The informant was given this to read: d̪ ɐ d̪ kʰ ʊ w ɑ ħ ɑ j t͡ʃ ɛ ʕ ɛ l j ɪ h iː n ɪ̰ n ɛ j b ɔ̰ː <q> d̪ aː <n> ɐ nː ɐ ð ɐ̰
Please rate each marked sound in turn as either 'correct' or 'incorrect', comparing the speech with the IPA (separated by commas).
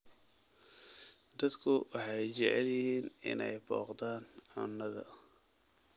correct, correct